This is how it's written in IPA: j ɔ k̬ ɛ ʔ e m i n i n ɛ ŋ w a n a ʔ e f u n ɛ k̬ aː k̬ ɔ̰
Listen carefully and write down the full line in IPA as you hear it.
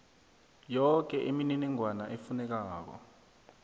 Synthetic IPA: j ɔ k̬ ɛ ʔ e m i n i n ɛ ŋ w a n a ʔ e f u n ɛ k̬ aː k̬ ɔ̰